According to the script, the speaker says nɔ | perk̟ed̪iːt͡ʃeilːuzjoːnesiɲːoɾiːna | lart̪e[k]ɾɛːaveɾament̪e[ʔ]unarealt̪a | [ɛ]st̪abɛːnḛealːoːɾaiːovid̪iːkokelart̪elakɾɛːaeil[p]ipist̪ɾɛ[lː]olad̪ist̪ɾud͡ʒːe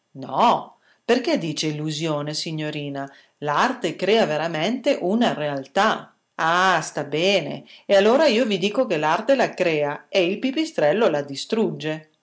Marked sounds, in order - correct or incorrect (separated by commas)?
correct, correct, incorrect, correct, correct